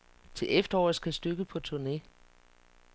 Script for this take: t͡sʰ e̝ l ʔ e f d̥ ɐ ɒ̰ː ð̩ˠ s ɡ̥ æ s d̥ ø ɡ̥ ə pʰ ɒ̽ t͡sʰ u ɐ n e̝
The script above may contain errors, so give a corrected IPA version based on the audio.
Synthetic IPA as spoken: t͡sʰ e̝ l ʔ e f d̥ ɐ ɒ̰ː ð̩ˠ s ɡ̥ æ s d̥ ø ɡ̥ ə pʰ ɒ̽ t͡sʰ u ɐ n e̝